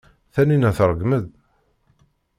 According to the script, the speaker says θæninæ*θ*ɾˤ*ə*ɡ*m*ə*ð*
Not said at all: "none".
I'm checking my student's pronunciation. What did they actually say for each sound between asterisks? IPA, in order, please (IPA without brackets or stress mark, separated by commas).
θ, ə, m, ð